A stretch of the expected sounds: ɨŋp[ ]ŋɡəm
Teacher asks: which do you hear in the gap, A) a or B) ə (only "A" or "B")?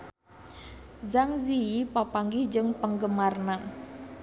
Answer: B